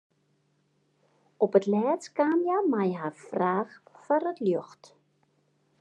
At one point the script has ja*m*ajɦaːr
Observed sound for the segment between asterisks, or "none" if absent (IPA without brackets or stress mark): m